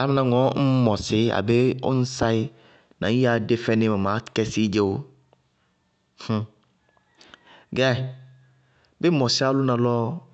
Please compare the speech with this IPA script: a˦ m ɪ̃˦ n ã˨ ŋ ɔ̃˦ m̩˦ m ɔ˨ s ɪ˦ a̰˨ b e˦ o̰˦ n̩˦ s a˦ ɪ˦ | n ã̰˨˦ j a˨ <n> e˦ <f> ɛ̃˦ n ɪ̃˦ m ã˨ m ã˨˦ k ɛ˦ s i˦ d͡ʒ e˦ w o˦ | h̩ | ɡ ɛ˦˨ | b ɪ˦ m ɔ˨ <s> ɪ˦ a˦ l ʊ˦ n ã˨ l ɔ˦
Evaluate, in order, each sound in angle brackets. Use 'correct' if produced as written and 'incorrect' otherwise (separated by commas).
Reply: incorrect, correct, correct